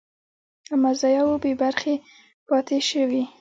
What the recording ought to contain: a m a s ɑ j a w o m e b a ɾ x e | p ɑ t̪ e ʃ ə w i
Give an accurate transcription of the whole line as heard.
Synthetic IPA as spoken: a m a z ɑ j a w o b e b a ɾ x e | p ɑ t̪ e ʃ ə w i